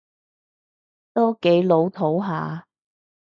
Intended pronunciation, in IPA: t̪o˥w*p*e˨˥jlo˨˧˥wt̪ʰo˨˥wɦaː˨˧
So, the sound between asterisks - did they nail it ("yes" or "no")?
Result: no